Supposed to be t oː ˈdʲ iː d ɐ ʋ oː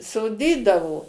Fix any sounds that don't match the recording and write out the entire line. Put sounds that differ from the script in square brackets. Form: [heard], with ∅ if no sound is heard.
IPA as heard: [s] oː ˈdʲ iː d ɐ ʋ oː

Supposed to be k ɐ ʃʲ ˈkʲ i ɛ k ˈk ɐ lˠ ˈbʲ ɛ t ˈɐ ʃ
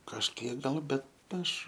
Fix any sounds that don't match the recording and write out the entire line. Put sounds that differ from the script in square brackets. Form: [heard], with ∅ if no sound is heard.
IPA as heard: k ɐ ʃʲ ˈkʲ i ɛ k [ˈɡ] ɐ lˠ ˈbʲ ɛ t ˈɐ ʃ

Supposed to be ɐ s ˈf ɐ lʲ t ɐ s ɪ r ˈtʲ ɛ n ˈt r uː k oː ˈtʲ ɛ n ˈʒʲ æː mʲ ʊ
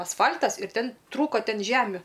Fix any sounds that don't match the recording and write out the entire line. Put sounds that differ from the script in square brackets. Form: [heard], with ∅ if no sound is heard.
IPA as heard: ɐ s ˈf ɐ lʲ t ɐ s ɪ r ˈtʲ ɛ n ˈt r uː k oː ˈtʲ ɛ n ˈʒʲ æː mʲ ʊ

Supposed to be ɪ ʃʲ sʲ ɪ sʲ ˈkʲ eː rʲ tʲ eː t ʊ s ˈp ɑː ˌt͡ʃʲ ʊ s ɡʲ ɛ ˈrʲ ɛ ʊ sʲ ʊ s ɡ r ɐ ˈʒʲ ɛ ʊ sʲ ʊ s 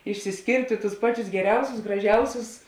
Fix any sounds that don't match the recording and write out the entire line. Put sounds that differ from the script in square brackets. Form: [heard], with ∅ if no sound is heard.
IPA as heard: ɪ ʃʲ sʲ ɪ sʲ ˈkʲ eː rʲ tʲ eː t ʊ s ˈp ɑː ˌt͡ʃʲ ʊ s ɡʲ ɛ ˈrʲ ɛ ʊ sʲ ʊ s ɡ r ɐ ˈʒʲ ɛ ʊ sʲ ʊ s

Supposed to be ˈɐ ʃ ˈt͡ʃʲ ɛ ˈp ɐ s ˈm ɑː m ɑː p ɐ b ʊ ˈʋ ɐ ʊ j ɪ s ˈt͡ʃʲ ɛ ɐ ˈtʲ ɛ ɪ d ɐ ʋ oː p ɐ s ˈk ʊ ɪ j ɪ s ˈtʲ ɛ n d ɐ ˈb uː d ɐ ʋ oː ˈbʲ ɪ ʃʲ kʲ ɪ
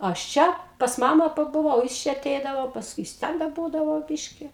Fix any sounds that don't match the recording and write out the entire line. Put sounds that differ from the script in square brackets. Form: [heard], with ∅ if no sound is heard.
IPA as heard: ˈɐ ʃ ˈt͡ʃʲ ɛ ˈp ɐ s ˈm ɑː m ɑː p ɐ b ʊ ˈʋ ɐ ʊ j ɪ s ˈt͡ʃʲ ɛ ɐ ˈtʲ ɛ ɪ d ɐ ʋ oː p ɐ s ˈk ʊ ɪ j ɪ s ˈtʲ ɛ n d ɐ ˈb uː d ɐ ʋ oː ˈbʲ ɪ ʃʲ kʲ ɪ

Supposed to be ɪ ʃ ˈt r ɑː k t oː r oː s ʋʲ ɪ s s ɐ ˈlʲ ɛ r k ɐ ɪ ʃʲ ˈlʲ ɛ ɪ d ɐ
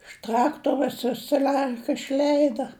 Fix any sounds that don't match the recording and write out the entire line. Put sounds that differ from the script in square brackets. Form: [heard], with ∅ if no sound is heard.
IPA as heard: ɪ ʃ ˈt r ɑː k t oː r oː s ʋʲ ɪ s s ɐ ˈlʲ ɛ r k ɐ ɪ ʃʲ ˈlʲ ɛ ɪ d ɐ

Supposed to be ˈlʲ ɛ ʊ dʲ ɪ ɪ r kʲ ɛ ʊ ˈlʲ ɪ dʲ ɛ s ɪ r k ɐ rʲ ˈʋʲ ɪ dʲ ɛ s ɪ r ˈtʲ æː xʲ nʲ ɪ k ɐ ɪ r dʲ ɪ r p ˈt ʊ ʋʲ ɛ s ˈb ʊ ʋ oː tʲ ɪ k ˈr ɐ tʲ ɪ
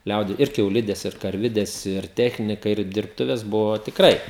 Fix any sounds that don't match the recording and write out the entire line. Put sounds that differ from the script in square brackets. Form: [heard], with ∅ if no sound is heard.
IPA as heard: ˈlʲ ɛ ʊ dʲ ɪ ɪ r kʲ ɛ ʊ ˈlʲ ɪ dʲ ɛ s ɪ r k ɐ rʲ ˈʋʲ ɪ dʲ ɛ s ɪ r ˈtʲ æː xʲ nʲ ɪ k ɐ ɪ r dʲ ɪ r p ˈt ʊ ʋʲ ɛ s ˈb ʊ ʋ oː tʲ ɪ k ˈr ɐ [∅] ɪ

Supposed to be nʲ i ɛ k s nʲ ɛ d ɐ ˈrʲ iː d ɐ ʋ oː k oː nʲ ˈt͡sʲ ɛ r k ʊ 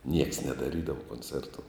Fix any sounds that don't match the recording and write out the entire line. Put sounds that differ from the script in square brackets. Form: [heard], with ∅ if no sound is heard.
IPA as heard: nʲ i ɛ k s nʲ ɛ d ɐ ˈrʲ iː d ɐ ʋ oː k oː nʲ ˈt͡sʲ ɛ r [t] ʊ

